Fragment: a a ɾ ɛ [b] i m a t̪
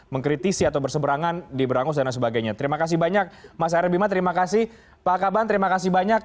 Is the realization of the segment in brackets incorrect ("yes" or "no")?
no